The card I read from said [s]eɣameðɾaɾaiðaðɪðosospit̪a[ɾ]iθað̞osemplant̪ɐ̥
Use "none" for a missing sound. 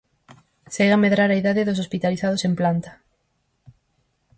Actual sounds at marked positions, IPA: s, l

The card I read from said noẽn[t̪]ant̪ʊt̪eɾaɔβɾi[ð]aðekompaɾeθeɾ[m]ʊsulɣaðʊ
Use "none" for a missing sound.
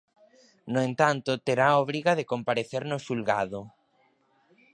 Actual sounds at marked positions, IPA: t̪, ɣ, n

